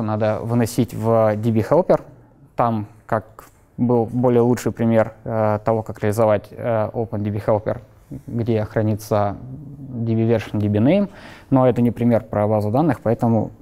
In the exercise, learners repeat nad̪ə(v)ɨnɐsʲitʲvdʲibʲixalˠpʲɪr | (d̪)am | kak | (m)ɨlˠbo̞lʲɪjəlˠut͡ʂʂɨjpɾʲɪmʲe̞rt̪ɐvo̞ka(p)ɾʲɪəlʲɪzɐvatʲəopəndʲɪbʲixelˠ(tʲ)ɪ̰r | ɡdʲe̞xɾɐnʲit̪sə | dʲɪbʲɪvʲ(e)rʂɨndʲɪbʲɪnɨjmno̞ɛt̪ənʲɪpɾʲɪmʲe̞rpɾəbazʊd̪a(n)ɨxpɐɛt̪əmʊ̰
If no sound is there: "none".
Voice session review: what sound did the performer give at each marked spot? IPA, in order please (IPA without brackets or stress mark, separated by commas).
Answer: v, t̪, b, k, pʲ, e, nː